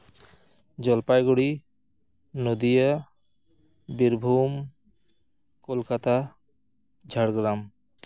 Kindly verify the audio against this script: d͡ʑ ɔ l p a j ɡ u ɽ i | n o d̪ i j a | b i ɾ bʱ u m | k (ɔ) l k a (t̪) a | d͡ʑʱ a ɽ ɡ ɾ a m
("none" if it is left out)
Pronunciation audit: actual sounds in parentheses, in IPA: o, t̪

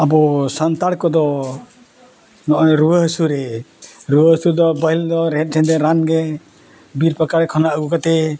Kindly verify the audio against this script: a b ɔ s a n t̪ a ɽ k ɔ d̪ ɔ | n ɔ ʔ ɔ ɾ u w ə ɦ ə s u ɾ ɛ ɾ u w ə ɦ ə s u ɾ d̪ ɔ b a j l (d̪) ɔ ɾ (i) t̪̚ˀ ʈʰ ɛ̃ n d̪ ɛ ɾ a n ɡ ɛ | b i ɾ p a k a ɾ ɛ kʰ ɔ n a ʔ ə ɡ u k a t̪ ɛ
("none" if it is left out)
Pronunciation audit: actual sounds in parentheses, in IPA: d̪, ɛ

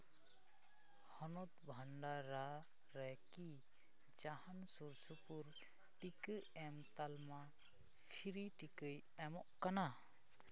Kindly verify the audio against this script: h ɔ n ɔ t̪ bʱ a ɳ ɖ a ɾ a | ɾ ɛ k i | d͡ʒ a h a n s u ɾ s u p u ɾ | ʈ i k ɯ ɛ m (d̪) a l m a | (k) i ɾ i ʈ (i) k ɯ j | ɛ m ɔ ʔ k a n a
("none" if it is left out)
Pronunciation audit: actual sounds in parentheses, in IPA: t̪, kʰ, i

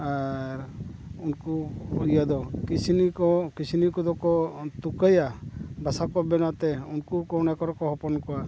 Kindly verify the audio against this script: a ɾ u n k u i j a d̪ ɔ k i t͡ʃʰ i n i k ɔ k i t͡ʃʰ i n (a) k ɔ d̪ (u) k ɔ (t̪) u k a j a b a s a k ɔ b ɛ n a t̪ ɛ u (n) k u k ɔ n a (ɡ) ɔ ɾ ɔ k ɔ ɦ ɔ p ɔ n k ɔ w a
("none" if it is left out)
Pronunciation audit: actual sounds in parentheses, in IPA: i, ɔ, t̪, n, k

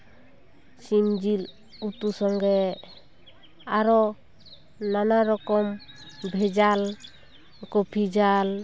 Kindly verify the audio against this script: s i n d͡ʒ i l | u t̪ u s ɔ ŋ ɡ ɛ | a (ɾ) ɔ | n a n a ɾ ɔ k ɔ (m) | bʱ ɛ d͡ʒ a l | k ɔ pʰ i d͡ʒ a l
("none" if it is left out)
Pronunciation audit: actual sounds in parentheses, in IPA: ɾ, m

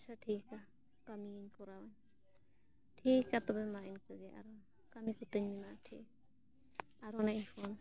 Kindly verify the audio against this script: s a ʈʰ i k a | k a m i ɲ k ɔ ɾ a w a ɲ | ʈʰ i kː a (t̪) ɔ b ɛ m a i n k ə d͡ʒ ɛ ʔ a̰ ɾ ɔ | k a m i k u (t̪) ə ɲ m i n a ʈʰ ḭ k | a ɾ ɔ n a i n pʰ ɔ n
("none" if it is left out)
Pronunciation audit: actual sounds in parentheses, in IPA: t̪, t̪

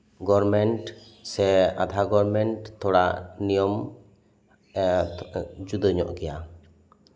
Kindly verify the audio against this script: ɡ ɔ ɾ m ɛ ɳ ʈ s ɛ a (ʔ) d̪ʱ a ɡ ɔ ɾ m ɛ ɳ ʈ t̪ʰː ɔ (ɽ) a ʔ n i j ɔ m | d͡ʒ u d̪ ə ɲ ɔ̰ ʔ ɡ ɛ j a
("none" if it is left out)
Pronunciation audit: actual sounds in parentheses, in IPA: none, ɽ

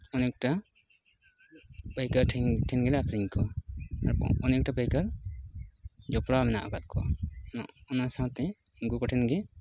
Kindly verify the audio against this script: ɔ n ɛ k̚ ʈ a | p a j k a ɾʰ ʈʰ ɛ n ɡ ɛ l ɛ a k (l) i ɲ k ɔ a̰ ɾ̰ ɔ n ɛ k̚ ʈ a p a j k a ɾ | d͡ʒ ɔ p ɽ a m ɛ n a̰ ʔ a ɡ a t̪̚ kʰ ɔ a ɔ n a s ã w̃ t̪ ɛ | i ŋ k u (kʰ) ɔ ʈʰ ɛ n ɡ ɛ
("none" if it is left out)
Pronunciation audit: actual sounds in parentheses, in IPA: ɾ, k

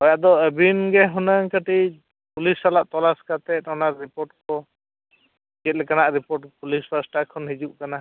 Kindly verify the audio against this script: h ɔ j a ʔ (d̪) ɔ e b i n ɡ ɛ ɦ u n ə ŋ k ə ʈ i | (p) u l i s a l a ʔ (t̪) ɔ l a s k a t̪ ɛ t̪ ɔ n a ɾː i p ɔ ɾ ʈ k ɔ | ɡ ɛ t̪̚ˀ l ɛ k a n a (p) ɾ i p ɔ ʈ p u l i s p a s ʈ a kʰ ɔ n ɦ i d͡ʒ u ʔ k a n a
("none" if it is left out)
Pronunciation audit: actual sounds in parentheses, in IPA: d̪, p, t̪, ʔ

